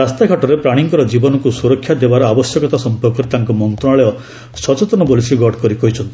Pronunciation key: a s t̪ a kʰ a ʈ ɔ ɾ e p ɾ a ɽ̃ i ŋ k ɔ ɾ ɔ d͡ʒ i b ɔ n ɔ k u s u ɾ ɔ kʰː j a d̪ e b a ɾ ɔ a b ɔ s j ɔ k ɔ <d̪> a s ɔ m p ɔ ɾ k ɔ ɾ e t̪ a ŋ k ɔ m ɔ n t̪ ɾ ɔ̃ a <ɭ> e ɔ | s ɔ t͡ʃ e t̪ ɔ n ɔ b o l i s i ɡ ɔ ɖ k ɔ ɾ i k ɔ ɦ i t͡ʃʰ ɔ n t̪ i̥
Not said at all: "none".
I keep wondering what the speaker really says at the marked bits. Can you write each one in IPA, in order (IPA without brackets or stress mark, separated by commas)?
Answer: t̪, ɭ